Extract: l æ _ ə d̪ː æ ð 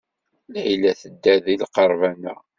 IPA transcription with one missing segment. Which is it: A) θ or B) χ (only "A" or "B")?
A